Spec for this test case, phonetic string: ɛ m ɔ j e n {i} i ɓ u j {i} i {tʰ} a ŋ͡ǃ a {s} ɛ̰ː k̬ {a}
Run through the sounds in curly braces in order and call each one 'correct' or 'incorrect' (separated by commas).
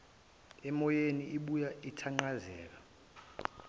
correct, incorrect, correct, incorrect, correct